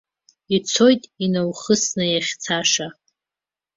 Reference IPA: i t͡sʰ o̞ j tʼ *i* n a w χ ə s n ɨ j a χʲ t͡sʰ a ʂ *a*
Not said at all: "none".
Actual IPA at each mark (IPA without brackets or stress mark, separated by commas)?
i, a